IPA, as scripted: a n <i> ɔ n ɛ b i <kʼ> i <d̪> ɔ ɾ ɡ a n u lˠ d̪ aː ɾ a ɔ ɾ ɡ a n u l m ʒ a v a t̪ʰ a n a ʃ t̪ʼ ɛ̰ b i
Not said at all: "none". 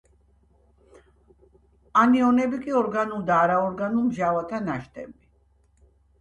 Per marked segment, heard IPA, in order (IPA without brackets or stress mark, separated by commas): i, kʼ, none